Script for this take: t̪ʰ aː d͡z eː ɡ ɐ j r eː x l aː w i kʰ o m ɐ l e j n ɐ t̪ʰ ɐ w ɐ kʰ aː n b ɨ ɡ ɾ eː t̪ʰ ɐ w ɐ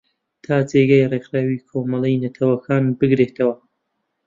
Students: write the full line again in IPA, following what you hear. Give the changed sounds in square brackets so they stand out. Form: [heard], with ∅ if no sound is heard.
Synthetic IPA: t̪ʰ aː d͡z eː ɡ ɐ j r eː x [ɾ] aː w i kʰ o m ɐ l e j n ɐ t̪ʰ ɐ w ɐ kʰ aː n b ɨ ɡ ɾ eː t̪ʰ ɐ w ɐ